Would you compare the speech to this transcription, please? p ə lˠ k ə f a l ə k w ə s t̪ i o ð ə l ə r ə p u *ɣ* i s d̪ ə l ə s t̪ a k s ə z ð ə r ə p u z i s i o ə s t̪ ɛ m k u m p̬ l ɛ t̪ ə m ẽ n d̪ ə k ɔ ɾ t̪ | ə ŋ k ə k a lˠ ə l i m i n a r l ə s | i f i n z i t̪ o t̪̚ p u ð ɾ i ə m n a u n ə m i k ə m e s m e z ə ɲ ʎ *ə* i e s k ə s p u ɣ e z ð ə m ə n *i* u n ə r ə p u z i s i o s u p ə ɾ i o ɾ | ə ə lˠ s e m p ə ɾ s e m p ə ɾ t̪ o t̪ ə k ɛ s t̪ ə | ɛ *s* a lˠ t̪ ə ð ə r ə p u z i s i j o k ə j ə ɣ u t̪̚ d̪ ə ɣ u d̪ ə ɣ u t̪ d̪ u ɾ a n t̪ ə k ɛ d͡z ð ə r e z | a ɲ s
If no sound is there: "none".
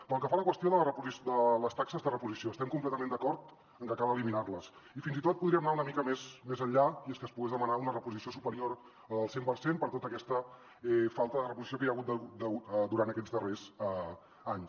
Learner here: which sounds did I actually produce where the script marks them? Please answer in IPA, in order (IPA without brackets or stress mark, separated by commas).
z, a, a, f